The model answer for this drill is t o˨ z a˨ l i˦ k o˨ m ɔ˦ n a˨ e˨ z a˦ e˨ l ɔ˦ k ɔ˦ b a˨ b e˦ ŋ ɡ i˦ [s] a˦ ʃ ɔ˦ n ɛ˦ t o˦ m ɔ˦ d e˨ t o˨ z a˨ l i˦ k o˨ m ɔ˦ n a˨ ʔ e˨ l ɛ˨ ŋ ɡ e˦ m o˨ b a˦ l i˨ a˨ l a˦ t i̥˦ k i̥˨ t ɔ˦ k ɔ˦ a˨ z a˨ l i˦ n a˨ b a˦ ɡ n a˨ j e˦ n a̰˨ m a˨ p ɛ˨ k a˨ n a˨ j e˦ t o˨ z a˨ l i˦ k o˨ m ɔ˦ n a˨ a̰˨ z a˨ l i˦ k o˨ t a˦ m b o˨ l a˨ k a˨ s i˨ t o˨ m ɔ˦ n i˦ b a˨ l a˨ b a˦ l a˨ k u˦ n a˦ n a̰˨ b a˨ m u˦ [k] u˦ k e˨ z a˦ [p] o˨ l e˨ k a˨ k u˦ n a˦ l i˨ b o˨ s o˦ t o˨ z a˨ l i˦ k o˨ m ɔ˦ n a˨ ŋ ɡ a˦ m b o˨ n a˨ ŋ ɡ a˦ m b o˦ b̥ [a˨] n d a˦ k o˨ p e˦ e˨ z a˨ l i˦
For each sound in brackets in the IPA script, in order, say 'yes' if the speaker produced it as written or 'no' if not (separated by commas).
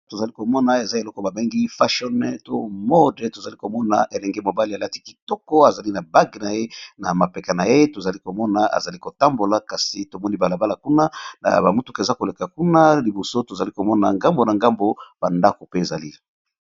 no, no, no, yes